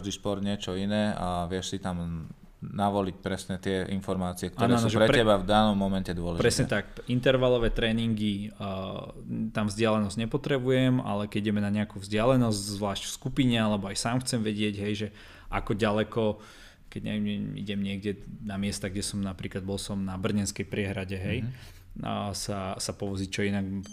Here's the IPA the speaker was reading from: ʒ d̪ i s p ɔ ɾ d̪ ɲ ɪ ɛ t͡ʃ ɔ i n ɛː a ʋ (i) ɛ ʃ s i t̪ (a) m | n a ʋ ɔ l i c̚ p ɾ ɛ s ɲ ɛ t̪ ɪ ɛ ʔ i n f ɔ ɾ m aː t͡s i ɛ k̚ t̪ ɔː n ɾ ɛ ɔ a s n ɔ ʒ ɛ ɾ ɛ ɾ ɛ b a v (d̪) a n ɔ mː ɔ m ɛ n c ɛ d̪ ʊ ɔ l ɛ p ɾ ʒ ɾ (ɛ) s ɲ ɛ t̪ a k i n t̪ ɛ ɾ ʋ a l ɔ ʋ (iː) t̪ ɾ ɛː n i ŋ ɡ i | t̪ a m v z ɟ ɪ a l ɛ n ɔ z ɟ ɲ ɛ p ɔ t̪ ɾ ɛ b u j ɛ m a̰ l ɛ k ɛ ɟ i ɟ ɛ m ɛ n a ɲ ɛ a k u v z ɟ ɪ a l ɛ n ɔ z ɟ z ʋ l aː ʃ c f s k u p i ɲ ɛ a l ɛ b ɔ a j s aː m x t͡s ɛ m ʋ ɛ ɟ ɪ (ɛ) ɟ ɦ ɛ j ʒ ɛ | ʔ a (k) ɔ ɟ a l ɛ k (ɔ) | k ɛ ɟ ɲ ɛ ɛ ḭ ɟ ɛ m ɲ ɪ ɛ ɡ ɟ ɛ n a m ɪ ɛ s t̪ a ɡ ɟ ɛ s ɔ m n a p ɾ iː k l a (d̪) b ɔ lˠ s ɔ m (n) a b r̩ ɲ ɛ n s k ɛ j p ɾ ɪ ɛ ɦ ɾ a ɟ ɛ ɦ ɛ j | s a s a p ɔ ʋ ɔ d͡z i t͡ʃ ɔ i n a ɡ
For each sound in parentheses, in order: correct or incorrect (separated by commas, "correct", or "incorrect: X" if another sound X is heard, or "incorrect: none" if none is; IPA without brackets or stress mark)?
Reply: incorrect: ɪ, correct, correct, correct, incorrect: ɛː, correct, correct, correct, correct, correct